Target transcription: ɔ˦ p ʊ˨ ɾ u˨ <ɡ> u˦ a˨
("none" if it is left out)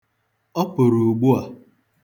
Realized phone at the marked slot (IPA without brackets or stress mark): ɡ͡b